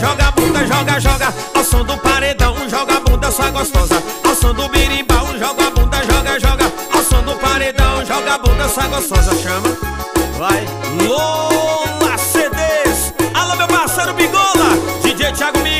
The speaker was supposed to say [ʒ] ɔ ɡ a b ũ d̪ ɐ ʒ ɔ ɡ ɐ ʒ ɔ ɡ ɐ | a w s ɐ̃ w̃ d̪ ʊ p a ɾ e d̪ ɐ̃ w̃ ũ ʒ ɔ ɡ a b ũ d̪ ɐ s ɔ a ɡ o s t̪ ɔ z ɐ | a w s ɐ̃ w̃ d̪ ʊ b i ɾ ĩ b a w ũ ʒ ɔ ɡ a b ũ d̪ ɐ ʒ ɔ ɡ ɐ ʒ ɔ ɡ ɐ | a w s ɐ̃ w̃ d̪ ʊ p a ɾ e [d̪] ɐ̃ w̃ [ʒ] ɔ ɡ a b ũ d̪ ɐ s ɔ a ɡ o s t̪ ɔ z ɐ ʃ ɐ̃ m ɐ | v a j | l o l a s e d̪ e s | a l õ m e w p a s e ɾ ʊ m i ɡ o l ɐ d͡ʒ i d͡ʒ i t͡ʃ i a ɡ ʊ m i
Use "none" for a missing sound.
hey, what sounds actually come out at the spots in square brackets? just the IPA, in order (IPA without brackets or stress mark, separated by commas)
ʒ, d̪, ʒ